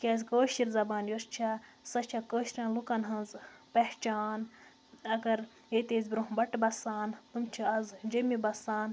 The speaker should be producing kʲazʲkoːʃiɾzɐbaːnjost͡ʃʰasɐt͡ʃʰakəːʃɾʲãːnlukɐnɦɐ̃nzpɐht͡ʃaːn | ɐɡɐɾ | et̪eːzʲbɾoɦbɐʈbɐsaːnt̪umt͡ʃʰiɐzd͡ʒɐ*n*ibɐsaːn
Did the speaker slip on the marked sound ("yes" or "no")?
yes